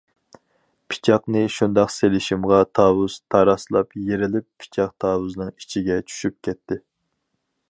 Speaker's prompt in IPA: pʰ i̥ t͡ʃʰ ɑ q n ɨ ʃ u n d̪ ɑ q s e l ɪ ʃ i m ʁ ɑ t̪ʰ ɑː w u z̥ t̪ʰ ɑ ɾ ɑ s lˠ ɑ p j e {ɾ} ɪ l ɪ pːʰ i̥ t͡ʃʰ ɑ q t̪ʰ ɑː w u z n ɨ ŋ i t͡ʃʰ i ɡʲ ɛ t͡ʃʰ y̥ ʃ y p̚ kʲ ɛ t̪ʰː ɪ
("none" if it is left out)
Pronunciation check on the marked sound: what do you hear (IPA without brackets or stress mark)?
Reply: ɾ